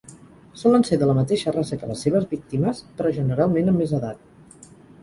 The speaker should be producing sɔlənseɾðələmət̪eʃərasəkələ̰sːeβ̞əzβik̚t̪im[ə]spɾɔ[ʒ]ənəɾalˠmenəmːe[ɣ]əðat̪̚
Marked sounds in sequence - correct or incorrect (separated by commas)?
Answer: correct, correct, incorrect